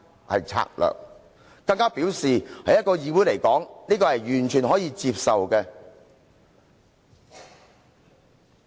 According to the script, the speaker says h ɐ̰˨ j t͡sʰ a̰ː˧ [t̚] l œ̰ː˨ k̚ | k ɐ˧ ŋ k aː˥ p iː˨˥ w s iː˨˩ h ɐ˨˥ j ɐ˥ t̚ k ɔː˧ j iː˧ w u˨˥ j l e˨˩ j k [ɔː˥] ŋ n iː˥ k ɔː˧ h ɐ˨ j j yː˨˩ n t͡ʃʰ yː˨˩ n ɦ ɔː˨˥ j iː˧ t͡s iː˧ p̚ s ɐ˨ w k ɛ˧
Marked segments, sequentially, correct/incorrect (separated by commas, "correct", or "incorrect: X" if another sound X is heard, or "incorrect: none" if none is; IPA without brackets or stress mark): incorrect: k̚, incorrect: ɔː˨˥